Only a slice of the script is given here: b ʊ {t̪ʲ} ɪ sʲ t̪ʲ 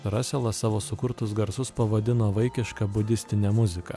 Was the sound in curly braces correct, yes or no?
no